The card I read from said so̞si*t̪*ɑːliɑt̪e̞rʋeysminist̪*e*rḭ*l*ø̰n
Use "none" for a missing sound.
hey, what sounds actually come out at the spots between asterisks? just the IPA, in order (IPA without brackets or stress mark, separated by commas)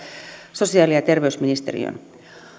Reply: none, e, none